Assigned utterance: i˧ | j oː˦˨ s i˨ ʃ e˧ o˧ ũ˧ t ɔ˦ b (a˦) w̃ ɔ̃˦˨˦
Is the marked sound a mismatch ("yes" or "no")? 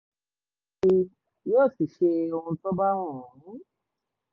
no